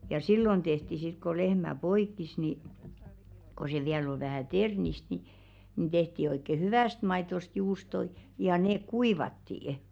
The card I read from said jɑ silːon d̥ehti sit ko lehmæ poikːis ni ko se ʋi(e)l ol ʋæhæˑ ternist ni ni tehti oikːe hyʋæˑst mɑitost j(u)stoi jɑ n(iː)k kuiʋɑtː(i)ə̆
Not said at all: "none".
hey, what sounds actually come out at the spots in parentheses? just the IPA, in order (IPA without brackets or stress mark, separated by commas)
æ, uː, eː, i